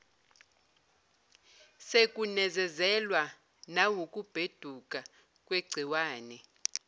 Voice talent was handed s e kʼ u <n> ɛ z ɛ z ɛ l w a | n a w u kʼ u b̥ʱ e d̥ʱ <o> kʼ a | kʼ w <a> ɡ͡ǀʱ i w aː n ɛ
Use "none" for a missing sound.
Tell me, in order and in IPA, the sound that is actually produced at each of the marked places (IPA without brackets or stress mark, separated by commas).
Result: n, u, e